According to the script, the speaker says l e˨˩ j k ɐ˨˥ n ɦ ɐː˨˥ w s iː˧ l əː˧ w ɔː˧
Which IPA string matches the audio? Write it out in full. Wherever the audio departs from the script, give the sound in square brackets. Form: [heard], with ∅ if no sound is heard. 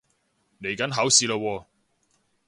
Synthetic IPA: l e˨˩ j k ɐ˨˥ n ɦ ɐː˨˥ w s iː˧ l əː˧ w ɔː˧